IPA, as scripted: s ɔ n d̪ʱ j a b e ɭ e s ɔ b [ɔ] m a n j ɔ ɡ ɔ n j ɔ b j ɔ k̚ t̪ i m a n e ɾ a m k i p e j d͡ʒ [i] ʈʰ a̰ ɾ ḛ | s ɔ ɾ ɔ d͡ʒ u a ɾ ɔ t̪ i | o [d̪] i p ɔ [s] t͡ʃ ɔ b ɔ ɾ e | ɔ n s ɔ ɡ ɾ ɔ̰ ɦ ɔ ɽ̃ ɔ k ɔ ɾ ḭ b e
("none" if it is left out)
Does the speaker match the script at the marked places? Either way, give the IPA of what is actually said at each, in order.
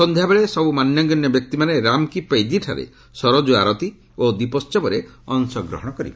u, i, d̪, s

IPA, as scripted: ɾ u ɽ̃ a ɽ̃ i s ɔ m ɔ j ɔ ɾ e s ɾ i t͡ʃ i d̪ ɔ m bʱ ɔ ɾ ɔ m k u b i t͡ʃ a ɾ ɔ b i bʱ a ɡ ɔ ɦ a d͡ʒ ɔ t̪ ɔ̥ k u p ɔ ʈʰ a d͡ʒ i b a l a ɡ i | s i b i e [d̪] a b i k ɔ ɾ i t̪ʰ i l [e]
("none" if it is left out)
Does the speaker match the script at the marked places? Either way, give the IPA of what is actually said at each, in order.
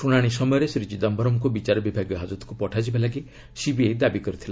d̪, a

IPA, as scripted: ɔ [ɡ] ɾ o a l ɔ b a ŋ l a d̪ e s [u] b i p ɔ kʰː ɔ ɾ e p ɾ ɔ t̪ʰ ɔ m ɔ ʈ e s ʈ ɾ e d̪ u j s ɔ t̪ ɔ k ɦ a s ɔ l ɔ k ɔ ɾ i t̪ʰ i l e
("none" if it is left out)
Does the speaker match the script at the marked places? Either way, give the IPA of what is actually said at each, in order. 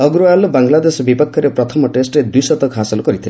ɡ, ɔ

